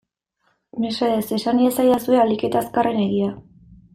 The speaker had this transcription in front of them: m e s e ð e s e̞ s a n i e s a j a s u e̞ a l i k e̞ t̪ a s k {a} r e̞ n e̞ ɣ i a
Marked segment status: correct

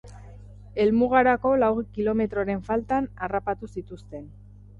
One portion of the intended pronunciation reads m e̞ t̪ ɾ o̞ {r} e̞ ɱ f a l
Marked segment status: incorrect: ɾ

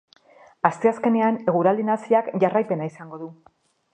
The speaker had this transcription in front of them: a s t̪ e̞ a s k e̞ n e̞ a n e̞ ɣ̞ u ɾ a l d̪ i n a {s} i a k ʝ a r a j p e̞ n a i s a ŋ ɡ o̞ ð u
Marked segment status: correct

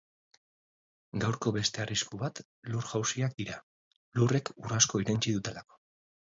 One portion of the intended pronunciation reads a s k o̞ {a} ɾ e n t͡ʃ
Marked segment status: incorrect: i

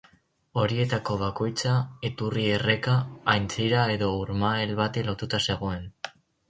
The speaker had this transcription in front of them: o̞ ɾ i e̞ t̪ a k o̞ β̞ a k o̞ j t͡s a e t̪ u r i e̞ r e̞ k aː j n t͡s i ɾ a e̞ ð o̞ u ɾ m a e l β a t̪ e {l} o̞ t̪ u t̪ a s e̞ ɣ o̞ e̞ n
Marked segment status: correct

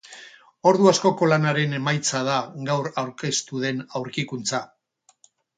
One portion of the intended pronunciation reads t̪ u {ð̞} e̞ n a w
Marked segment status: correct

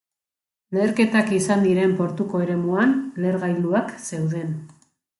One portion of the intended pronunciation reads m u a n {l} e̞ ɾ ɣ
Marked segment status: correct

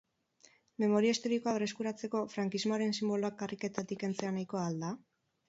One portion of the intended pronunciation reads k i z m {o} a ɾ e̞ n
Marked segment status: correct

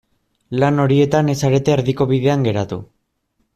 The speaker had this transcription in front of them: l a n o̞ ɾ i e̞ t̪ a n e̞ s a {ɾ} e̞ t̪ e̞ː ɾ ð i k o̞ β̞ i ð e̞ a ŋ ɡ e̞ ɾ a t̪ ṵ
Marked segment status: correct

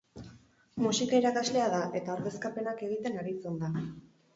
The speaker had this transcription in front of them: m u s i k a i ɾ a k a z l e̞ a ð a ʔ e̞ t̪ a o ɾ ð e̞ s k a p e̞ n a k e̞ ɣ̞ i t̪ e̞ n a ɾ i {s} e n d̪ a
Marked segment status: incorrect: t͡s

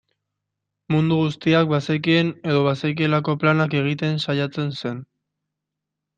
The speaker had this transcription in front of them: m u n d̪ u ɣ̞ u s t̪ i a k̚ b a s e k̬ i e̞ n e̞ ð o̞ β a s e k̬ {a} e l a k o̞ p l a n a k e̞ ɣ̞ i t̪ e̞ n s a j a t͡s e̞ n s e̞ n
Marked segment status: incorrect: i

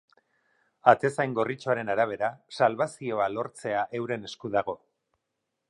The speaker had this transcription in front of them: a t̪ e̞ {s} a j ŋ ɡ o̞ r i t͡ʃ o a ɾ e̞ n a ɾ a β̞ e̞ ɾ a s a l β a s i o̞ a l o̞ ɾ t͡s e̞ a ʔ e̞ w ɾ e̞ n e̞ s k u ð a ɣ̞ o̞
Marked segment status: correct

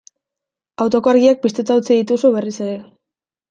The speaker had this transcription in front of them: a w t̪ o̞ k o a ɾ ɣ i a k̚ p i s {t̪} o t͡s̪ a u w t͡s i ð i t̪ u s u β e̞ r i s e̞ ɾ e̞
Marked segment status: correct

